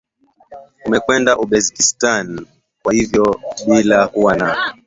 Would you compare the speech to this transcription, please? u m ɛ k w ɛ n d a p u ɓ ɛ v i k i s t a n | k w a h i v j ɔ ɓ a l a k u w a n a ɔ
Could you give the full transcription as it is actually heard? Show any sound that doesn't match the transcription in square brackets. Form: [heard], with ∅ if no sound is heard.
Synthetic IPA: u m ɛ k w ɛ n d a [ʔ] u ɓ ɛ [z] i k i s t a n | k w a h i v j ɔ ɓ [i] l a k u w a n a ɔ